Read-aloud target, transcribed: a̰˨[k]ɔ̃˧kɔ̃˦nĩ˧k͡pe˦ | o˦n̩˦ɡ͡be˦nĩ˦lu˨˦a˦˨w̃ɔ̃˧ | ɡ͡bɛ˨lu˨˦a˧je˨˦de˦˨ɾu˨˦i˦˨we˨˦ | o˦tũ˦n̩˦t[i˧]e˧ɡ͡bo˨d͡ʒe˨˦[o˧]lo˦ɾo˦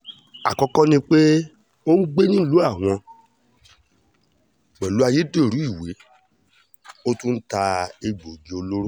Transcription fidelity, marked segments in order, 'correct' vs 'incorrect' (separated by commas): correct, incorrect, correct